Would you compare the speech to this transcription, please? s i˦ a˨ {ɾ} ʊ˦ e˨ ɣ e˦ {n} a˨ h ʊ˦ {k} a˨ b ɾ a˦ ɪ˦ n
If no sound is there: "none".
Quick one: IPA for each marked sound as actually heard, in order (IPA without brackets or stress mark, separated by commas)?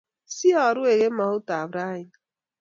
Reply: ɾ, m, t